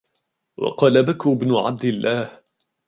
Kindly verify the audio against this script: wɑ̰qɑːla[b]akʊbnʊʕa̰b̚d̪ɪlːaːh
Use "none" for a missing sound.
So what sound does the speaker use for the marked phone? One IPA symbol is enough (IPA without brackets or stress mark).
b